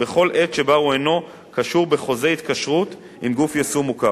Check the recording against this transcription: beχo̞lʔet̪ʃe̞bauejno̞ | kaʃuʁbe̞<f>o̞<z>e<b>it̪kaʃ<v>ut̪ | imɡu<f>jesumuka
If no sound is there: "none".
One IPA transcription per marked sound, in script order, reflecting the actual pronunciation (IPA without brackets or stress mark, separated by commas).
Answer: χ, z, none, ʁ, f